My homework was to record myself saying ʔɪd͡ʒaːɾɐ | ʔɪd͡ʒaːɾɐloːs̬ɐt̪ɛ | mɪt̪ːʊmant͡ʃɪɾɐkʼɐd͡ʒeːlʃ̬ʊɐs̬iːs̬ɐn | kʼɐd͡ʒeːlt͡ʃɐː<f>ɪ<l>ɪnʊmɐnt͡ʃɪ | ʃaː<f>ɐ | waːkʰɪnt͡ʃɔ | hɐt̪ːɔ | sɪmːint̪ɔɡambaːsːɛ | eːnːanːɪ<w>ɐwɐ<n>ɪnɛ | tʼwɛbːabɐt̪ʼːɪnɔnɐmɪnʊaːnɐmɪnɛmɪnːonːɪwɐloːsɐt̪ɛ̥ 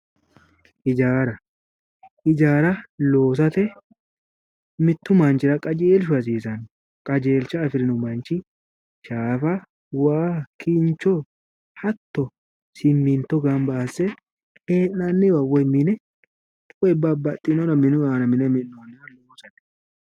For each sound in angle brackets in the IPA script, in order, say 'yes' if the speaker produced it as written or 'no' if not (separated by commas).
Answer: yes, no, yes, yes, no